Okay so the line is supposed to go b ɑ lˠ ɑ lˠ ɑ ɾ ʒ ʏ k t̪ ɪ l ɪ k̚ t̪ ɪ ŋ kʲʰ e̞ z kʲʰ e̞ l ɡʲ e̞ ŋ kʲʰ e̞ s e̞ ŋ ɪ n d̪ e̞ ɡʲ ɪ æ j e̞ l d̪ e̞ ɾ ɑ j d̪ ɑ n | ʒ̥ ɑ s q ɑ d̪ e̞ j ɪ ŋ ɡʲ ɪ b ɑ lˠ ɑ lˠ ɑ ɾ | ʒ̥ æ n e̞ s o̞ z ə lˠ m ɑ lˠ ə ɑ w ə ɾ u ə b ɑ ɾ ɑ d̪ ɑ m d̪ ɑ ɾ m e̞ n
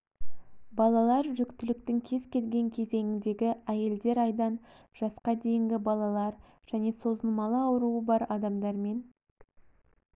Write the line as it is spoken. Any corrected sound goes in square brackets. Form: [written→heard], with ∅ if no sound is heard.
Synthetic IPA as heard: b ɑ lˠ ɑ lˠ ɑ ɾ ʒ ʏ k t̪ ɪ l ɪ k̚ t̪ ɪ ŋ kʲʰ e̞ z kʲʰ e̞ l ɡʲ e̞ ŋ kʲʰ e̞ [s→z] e̞ ŋ ɪ n d̪ e̞ ɡʲ ɪ æ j e̞ l d̪ e̞ ɾ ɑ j d̪ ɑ n | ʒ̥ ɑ s q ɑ d̪ e̞ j ɪ ŋ ɡʲ ɪ b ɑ lˠ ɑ lˠ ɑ ɾ | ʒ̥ æ n e̞ s o̞ z ə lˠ m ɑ lˠ ə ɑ w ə ɾ u ə b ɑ ɾ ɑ d̪ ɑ m d̪ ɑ ɾ m e̞ n